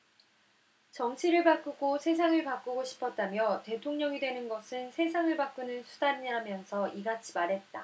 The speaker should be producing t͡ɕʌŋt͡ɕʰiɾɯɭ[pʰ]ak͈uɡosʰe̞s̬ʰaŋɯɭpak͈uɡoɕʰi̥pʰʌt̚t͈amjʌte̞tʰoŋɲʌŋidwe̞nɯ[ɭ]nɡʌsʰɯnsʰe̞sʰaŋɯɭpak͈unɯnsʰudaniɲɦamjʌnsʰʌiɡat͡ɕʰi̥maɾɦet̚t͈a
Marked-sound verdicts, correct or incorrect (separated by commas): incorrect, incorrect